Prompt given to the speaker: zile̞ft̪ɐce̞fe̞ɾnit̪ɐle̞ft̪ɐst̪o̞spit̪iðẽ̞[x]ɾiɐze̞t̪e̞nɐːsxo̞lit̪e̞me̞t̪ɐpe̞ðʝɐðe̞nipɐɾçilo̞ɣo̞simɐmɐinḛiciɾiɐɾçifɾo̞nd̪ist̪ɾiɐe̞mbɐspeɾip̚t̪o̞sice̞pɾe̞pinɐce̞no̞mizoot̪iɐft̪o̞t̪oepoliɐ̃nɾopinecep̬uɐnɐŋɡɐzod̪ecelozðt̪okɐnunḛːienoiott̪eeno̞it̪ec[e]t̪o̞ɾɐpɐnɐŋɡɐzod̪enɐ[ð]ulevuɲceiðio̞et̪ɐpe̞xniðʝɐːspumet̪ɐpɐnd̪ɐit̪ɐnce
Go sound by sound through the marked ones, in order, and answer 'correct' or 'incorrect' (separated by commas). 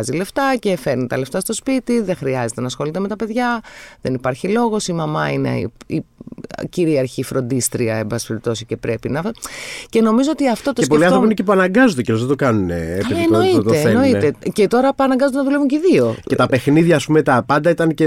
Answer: correct, correct, correct